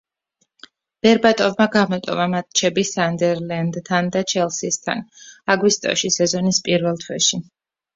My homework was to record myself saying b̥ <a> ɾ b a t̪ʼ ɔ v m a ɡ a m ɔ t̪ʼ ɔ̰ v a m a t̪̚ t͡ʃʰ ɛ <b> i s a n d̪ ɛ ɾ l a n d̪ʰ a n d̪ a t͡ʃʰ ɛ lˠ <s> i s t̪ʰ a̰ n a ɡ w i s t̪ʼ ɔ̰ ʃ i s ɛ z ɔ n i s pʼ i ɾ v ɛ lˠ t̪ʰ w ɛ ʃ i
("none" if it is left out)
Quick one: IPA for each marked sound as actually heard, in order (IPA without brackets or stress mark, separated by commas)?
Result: ɛ, b, s